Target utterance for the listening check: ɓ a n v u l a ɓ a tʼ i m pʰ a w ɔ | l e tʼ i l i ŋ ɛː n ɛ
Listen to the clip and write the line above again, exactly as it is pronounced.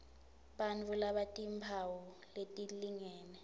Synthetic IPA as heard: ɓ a n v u l a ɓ a tʼ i m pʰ a w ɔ | l e tʼ i l i ŋ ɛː n ɛ

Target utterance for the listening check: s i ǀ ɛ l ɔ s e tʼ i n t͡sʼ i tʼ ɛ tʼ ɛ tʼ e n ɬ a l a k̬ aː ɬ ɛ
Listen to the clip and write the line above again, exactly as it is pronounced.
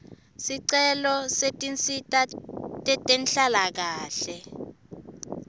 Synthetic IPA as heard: s i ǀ ɛ l ɔ s e tʼ i n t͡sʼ i tʼ a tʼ ɛ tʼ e n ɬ a l a k̬ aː ɬ ɛ

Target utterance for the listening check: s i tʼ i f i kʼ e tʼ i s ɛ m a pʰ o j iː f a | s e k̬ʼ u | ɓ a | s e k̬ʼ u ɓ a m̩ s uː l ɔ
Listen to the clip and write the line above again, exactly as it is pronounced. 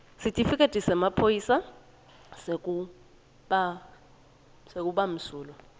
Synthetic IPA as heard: s i tʼ i f i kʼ e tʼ i s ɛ m a pʰ o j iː s a | s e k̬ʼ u | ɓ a | s e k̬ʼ u ɓ a m̩ s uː l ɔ

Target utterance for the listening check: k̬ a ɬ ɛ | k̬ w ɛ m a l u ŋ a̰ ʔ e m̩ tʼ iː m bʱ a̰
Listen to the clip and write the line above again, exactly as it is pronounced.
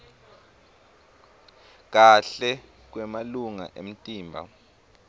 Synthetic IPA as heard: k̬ a ɬ ɛ | k̬ w ɛ m a l u ŋ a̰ ʔ e m̩ tʼ iː m bʱ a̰

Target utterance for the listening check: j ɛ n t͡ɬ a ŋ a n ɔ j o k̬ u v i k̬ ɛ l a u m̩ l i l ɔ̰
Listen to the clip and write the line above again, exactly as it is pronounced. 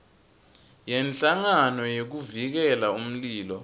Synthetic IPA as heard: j ɛ n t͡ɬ a ŋ a n ɔ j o k̬ u v i k̬ ɛ l a u m̩ l iː l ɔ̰

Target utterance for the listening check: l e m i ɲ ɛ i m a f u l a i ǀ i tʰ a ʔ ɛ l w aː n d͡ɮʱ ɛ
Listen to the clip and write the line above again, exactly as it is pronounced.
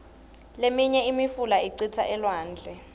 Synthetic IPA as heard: l e m i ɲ ɛ i m i f u l a i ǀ i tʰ a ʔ ɛ l w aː n d͡ɮʱ ɛ

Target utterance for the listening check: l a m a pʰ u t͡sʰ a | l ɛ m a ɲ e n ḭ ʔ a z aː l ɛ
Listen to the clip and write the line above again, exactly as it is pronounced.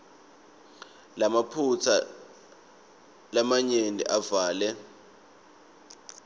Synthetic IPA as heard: l a m a pʰ u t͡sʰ a | l a m a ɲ e n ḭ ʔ a v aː l ɛ

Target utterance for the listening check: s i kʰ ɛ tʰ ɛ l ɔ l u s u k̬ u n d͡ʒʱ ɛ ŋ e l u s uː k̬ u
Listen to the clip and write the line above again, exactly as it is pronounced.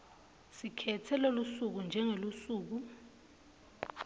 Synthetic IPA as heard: s i kʰ ɛ tʰ ɛ l o l u s u k̬ u n d͡ʒʱ ɛ ŋ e l u s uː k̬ u

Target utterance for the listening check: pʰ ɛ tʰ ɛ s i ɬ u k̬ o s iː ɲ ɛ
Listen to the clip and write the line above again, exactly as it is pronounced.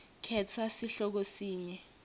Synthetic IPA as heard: kʰ ɛ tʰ a s i ɬ ɔ k̬ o s iː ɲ ɛ

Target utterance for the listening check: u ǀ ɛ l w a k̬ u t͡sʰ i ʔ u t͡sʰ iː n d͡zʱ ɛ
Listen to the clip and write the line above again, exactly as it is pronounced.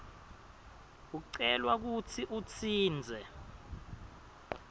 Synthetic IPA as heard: u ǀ ɛ l w a k̬ u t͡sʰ i ʔ u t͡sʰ iː n d͡zʱ ɛ

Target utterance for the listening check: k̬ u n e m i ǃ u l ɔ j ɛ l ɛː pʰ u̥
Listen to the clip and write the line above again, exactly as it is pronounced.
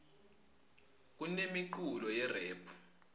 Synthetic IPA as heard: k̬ u n e m i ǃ u l ɔ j ɛ r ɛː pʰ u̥

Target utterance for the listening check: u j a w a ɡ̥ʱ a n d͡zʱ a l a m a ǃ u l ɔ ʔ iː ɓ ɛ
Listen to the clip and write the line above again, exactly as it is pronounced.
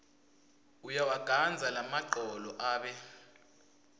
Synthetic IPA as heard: u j a w a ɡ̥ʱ a n d͡zʱ a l a m a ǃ ɔ l ɔ ʔ aː ɓ ɛ

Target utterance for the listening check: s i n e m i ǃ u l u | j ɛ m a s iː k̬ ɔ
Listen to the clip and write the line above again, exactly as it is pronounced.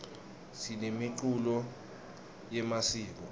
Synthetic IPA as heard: s i n e m i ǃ u l ɔ | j ɛ m a s iː k̬ ɔ

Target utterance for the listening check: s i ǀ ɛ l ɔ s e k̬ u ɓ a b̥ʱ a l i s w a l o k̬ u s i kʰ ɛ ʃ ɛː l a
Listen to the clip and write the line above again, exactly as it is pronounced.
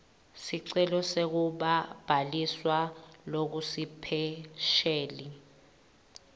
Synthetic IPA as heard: s i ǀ ɛ l ɔ s e k̬ u ɓ a b̥ʱ a l i s w a l o k̬ u s i pʰ ɛ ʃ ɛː l i

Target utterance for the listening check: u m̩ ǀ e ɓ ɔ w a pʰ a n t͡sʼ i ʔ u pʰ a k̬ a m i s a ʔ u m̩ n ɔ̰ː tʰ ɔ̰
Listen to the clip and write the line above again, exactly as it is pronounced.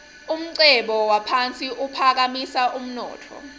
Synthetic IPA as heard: u m̩ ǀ ɛ ɓ ɔ w a pʰ a n t͡sʼ i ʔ u pʰ a k̬ a m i s a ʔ u m̩ n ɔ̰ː tʰ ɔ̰

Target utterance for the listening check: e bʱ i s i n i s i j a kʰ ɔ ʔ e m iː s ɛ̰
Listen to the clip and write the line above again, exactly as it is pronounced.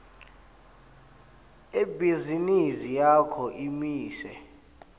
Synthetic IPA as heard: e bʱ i z i n i s i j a kʰ ɔ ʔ i m iː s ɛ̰

